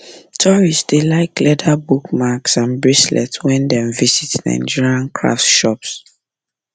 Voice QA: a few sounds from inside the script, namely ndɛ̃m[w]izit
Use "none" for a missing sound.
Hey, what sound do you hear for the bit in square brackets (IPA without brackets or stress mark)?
v